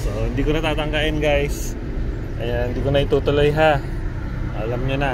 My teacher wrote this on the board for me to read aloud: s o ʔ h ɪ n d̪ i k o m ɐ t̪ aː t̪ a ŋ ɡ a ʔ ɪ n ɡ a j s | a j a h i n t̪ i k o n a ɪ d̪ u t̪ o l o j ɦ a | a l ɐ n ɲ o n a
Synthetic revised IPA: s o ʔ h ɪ n d̪ i k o n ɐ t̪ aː t̪ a ŋ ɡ a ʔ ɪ n ɡ a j s | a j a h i n d̪ i k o n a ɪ t̪ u t̪ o l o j ɦ a | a l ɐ m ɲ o n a